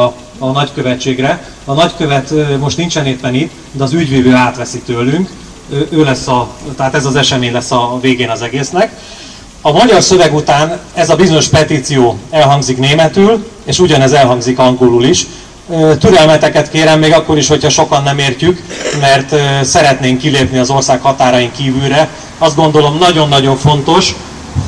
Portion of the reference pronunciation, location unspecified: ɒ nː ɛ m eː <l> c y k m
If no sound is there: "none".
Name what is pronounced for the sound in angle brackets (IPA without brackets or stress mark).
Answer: r